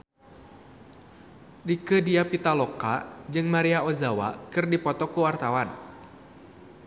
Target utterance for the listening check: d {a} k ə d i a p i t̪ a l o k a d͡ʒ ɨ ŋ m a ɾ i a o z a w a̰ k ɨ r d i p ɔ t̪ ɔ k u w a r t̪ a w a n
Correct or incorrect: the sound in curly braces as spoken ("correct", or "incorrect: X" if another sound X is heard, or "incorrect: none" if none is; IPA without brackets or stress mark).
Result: incorrect: i